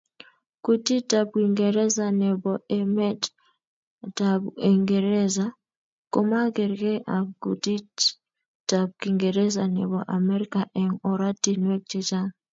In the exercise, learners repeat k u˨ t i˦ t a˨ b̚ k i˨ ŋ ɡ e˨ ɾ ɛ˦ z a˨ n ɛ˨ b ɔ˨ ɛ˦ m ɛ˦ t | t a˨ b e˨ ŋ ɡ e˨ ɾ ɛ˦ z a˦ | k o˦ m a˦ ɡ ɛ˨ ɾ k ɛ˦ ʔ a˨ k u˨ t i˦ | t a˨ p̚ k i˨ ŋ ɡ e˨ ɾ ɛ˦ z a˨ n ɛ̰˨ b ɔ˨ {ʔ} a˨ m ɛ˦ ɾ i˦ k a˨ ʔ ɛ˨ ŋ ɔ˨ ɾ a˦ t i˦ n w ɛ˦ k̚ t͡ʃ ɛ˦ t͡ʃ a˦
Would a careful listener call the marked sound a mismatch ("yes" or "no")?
no